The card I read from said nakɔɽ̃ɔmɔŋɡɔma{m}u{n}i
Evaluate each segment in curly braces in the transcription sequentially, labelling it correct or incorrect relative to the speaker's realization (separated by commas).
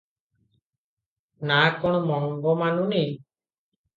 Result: incorrect, correct